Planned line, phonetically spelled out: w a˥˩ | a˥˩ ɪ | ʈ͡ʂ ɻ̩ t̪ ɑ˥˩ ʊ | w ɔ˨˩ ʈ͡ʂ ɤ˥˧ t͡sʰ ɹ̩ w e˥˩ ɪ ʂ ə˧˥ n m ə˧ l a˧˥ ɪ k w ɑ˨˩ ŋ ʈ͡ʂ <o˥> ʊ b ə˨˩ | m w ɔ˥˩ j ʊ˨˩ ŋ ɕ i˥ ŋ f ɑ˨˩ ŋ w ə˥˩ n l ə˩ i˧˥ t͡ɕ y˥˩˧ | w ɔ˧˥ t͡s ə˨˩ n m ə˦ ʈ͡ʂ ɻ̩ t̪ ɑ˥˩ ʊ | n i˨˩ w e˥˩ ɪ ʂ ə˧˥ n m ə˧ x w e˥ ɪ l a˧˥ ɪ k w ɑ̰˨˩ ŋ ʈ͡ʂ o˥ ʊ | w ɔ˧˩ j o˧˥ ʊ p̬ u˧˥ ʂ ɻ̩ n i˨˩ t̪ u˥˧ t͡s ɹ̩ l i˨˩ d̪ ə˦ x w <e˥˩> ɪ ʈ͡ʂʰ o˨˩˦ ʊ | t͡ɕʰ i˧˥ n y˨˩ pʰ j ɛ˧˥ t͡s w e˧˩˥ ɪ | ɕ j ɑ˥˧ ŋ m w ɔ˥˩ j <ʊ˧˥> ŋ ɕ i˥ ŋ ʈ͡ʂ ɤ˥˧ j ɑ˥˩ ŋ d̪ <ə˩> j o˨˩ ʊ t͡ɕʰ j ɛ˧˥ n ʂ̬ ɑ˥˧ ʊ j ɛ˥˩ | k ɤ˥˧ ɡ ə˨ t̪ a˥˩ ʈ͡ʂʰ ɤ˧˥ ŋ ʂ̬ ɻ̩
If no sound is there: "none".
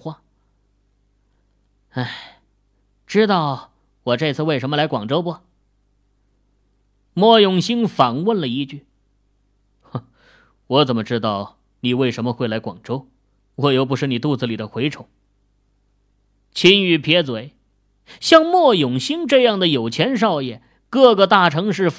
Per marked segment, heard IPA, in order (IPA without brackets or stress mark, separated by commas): o˥, e˧˥, ʊ˨˩, ə˩